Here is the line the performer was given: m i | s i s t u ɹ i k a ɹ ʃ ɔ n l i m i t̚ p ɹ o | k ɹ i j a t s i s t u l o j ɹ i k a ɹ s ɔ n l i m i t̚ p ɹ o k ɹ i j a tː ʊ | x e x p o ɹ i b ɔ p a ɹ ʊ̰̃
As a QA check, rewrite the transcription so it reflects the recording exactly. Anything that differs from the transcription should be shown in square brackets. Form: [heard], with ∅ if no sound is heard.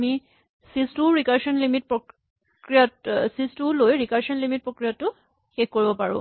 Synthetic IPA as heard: m i | s i s t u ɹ i k a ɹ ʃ ɔ n l i m i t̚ p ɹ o | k ɹ i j a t s i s t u l o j ɹ i k a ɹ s ɔ n l i m i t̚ p ɹ o k ɹ i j a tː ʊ | x e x [k] o ɹ i b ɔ p a ɹ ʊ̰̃